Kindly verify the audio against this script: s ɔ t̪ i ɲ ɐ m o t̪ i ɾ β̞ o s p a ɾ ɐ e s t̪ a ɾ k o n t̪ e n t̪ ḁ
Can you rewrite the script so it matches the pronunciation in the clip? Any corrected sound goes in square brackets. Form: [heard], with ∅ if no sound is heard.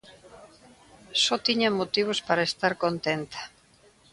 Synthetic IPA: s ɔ t̪ i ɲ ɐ m o t̪ i [∅] β̞ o s p a ɾ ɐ e s t̪ a ɾ k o n t̪ e n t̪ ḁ